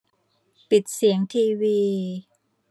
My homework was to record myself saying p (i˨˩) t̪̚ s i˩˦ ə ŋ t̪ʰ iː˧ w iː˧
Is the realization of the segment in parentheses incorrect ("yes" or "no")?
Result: no